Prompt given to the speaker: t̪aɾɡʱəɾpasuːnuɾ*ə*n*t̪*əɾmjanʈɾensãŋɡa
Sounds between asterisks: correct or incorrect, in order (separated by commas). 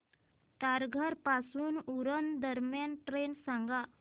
correct, incorrect